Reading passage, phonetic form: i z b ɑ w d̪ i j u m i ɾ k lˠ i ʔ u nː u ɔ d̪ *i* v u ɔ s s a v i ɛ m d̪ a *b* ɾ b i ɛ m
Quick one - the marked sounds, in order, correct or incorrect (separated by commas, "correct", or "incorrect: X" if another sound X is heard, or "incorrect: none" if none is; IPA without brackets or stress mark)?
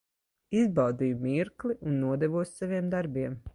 incorrect: ɛ, incorrect: none